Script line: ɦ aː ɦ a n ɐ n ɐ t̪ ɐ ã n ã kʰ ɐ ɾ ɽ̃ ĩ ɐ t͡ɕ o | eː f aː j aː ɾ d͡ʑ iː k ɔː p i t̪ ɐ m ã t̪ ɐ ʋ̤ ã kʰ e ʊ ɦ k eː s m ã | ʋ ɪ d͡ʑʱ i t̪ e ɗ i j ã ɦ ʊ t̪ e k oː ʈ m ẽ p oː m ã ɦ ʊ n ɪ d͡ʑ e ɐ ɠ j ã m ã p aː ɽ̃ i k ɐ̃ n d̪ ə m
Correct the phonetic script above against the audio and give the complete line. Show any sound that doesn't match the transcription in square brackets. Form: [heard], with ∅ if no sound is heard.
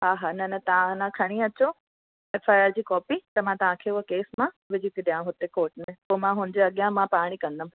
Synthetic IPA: ɦ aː ɦ a n ɐ n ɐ t̪ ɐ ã n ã kʰ ɐ [∅] ɽ̃ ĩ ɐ t͡ɕ o | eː f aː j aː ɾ d͡ʑ iː k ɔː p i t̪ ɐ m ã t̪ ɐ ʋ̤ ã kʰ e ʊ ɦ k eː s m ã | ʋ ɪ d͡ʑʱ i t̪ [i] ɗ i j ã ɦ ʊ t̪ e k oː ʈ m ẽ p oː m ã ɦ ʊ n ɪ d͡ʑ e ɐ ɠ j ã m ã p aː ɽ̃ i k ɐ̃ n d̪ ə m

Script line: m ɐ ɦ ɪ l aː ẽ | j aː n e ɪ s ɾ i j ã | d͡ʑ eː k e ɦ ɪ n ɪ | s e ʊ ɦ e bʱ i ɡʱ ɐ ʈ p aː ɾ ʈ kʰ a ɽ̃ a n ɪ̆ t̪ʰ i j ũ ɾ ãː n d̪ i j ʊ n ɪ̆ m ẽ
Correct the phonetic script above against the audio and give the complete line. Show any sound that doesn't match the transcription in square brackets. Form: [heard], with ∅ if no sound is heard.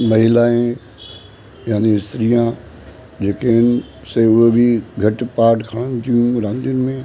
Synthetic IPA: m ɐ ɦ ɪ l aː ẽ | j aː n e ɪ s ɾ i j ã | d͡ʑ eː k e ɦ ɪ n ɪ | s e ʊ ɦ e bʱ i ɡʱ ɐ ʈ p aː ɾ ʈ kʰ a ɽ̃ [ə] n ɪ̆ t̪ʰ i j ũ ɾ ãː n d̪ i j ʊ n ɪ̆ m ẽ

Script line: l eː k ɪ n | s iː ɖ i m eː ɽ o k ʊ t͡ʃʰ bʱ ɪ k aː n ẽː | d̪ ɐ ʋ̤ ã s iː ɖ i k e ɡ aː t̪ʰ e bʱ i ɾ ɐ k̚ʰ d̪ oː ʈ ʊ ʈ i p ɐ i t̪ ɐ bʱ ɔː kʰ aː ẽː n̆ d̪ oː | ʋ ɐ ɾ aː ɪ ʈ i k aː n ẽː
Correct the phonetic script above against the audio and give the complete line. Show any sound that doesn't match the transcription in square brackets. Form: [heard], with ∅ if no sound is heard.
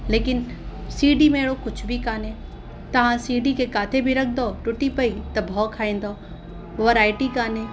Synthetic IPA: l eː k ɪ n | s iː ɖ i m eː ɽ o k ʊ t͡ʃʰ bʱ [i] k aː n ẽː | [t̪] ɐ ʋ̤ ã s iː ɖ i k e [k] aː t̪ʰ e bʱ i ɾ ɐ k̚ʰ d̪ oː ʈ ʊ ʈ i p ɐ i t̪ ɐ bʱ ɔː kʰ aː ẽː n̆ d̪ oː | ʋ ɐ ɾ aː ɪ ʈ i k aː n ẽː

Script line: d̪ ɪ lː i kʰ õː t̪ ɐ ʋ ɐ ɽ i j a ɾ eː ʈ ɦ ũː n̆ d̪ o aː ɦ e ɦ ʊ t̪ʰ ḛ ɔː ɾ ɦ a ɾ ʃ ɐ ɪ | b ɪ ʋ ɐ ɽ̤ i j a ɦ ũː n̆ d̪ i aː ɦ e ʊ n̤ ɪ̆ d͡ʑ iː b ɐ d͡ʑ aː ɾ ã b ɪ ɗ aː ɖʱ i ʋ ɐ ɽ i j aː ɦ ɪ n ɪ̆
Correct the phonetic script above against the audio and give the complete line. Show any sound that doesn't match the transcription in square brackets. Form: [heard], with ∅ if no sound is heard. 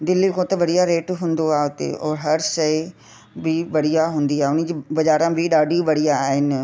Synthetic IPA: d̪ ɪ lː i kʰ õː t̪ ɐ ʋ ɐ ɽ i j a ɾ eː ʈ ɦ ũː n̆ d̪ o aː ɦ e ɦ ʊ [t̪] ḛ ɔː ɾ ɦ [ɐ] ɾ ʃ ɐ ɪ | b ɪ ʋ ɐ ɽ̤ i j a ɦ ũː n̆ d̪ i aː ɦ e ʊ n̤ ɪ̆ d͡ʑ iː b ɐ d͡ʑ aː ɾ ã b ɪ ɗ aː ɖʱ i ʋ ɐ ɽ i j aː ɦ ɪ n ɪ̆

